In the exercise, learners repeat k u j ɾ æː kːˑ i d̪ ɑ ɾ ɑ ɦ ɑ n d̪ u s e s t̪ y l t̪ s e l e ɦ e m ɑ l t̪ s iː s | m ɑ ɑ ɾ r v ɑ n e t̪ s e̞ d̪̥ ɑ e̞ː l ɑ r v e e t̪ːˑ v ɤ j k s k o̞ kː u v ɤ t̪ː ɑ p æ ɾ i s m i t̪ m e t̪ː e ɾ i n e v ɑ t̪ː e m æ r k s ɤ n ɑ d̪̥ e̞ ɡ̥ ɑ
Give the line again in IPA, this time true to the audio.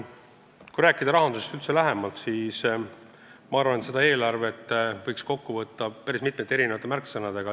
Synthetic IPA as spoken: k u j ɾ æː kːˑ i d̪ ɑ ɾ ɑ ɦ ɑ n d̪ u s e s t̪ y l t̪ s e l æ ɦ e m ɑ l t̪ s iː s | m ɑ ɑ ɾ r v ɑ n e t̪ s e̞ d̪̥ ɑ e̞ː l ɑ r v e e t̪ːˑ v ɤ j k s k o̞ kː u v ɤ t̪ː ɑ p æ ɾ i s m i t̪ m e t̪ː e ɾ i n e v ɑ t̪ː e m æ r k s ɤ n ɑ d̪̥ e̞ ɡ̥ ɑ